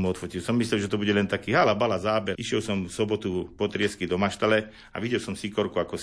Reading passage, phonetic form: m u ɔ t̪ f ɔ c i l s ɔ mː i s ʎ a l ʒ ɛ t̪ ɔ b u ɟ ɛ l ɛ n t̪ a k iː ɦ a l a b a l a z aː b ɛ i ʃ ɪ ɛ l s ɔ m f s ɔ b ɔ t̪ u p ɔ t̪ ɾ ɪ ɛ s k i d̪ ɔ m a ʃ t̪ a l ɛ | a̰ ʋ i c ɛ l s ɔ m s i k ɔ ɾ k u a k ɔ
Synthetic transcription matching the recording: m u ɔ t̪ f ɔ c i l s ɔ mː i s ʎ ɛ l ʒ ɛ t̪ ɔ b u ɟ ɛ l ɛ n t̪ a k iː ɦ a l a b a l a z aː b ɛ i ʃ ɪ ɛ l s ɔ m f s ɔ b ɔ t̪ u p ɔ t̪ ɾ ɪ ɛ s k i d̪ ɔ m a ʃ t̪ a l ɛ | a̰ ʋ i ɟ ɛ l s ɔ m s i k ɔ ɾ k u a k ɔ